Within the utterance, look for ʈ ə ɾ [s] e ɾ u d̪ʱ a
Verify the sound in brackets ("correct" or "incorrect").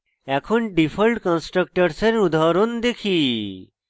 correct